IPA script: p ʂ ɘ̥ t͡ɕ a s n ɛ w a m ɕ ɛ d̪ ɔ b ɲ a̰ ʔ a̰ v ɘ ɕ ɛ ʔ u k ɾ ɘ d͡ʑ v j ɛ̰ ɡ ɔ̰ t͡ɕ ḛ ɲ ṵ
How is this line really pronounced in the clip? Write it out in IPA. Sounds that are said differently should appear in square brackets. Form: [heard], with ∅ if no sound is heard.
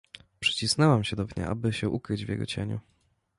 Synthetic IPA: p ʂ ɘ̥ t͡ɕ [i] s n ɛ w a m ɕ ɛ d̪ ɔ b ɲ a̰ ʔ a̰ [b] ɘ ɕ ɛ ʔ u k ɾ ɘ d͡ʑ v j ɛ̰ ɡ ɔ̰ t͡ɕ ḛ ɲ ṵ

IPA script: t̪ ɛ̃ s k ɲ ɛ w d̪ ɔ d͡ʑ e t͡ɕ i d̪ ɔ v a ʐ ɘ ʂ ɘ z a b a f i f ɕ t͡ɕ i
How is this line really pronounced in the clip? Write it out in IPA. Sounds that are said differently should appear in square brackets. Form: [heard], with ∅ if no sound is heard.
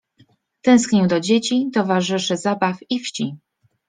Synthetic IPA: t̪ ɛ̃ s k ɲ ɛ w d̪ ɔ d͡ʑ e t͡ɕ i [t̪] ɔ v a ʐ ɘ ʂ ɘ z a b a f i f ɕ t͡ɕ i

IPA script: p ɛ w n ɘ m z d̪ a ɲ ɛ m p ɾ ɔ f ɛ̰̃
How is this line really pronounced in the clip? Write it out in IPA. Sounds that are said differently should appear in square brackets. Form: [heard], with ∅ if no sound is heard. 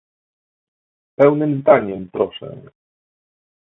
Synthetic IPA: p ɛ w n ɘ m z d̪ a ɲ ɛ m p ɾ ɔ [ʂ] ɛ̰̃

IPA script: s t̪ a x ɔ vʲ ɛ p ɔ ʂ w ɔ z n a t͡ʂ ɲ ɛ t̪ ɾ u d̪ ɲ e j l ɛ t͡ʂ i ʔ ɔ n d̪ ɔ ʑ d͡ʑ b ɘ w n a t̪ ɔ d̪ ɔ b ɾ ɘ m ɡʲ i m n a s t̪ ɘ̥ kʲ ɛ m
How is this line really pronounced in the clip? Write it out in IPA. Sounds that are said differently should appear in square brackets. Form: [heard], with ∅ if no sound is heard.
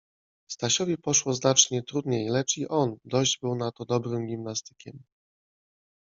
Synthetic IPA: s t̪ a [ɕ] ɔ vʲ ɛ p ɔ ʂ w ɔ z n a t͡ʂ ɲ ɛ t̪ ɾ u d̪ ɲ e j l ɛ t͡ʂ i ʔ ɔ n d̪ ɔ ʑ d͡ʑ b ɘ w n a t̪ ɔ d̪ ɔ b ɾ ɘ m ɡʲ i m n a s t̪ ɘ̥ kʲ ɛ m

